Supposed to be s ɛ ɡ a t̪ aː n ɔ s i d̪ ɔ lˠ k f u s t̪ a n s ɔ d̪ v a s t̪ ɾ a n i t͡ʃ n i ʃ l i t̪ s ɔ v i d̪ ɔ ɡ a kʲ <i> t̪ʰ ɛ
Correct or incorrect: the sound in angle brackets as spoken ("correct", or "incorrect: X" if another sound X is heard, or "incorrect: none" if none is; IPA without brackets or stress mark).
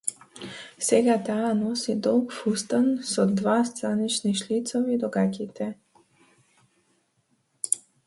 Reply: correct